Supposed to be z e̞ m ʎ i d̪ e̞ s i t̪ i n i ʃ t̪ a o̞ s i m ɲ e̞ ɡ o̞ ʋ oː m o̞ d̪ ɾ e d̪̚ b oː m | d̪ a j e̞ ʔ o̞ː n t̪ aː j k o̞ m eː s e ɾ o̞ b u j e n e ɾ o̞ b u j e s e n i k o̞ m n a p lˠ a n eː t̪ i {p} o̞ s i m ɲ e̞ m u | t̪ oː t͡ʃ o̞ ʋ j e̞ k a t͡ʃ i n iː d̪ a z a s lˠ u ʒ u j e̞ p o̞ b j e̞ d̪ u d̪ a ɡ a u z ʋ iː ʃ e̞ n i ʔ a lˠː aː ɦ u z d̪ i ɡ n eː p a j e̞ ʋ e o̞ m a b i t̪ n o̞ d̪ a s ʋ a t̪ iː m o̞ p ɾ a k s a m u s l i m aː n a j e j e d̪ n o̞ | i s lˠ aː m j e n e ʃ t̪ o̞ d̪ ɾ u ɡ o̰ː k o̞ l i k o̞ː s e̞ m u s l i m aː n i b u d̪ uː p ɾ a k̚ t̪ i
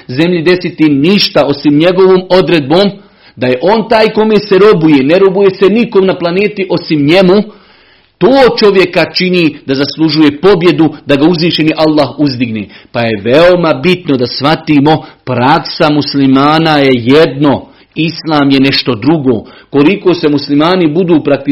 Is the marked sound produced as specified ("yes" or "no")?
no